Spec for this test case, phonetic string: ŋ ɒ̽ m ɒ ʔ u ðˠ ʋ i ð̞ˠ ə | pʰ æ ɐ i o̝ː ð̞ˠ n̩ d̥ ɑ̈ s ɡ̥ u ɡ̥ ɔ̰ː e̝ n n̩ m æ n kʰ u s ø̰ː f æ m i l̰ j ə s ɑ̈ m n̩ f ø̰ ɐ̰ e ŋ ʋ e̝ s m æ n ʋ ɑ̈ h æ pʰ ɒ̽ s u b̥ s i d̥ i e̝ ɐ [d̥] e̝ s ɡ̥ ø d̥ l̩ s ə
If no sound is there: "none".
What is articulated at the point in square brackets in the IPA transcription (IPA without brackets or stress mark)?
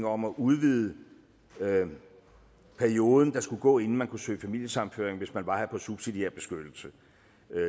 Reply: b̥